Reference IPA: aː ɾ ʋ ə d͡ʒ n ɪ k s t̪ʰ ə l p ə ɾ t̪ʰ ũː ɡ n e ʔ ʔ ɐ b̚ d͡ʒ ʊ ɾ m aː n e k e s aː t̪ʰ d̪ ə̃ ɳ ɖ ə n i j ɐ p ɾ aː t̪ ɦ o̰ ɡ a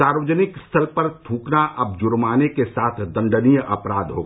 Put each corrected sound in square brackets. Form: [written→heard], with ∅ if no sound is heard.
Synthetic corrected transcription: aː ɾ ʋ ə d͡ʒ n ɪ k s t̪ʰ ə l p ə ɾ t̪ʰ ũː [ɡ→k] n [e→a] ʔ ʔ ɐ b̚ d͡ʒ ʊ ɾ m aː n e k e s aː t̪ʰ d̪ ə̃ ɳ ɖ ə n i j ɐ p ɾ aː [t̪→d̪] ɦ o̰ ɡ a